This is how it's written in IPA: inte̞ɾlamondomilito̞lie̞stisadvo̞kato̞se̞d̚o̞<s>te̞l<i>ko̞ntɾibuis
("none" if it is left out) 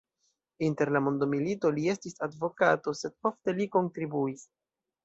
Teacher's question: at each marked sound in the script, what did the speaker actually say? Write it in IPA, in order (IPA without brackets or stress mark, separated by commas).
f, i